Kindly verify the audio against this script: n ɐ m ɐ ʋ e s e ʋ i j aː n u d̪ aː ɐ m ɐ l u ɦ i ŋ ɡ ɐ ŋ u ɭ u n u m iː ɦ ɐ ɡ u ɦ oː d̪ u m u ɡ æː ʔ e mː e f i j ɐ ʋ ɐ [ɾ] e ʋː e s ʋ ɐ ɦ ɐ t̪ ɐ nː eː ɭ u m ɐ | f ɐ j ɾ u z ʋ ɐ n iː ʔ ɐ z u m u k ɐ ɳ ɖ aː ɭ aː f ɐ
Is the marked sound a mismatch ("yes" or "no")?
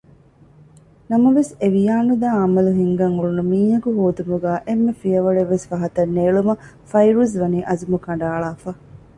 yes